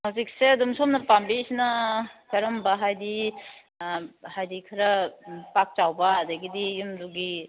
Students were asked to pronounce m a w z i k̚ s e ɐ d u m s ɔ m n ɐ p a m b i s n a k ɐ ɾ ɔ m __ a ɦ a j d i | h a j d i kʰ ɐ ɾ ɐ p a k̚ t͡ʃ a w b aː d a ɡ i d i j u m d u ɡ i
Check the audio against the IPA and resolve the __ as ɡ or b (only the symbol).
b